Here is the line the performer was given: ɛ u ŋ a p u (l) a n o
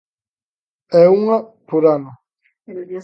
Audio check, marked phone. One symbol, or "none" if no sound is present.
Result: ɾ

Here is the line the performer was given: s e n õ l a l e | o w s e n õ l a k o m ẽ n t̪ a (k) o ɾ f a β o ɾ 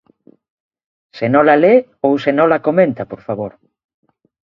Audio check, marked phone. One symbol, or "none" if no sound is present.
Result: p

